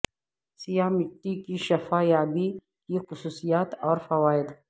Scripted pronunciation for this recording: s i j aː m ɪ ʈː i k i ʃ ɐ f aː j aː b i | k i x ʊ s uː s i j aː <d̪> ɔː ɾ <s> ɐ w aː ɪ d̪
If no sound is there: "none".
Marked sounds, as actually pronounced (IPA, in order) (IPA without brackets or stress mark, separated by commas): t̪, f